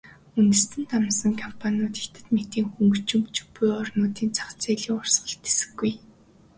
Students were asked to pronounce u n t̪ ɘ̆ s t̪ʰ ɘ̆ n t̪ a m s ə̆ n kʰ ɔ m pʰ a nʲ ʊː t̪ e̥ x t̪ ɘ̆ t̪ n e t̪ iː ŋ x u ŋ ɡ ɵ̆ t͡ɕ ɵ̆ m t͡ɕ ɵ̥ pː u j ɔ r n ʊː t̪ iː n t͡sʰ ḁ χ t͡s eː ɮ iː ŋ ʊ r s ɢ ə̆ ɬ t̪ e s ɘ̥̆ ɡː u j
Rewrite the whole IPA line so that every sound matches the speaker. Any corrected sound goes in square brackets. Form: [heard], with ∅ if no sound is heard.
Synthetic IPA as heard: u n t̪ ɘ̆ s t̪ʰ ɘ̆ n t̪ a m s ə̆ [ŋ] kʰ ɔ m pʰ a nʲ ʊː t̪ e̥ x t̪ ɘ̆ t̪ [m] e t̪ iː ŋ x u ŋ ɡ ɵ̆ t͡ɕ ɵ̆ m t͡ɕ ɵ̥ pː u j ɔ r n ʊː t̪ iː n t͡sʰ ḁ χ t͡s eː ɮ iː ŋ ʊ r s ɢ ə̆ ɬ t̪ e s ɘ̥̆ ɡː u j